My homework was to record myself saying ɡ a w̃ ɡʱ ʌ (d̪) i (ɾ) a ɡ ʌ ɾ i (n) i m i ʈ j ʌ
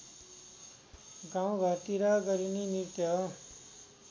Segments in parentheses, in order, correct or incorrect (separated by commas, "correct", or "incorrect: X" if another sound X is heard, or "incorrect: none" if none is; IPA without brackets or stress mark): incorrect: t̪, correct, correct